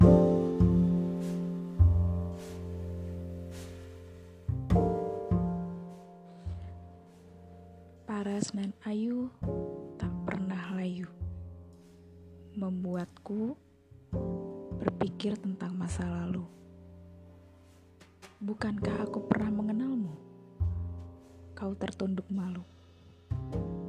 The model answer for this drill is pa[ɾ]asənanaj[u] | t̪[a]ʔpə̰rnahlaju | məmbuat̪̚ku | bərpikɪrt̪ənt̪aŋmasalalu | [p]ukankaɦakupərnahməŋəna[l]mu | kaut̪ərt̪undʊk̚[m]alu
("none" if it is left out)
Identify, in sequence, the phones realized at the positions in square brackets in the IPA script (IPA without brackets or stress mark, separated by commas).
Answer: ɾ, u, a, b, l, m